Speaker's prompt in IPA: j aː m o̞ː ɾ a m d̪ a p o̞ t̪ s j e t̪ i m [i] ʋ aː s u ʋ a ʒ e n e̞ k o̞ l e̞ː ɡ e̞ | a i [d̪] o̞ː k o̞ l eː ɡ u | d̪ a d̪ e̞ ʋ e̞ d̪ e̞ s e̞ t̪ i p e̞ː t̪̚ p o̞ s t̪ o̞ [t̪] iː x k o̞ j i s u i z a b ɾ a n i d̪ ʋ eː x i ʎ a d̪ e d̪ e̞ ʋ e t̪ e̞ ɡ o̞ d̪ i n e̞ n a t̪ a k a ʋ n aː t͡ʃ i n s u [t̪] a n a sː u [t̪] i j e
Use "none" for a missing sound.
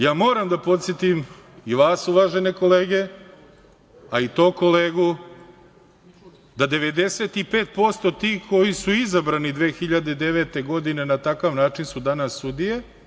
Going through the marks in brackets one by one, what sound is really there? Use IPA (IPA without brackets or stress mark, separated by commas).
i, t̪, t̪, d̪, d̪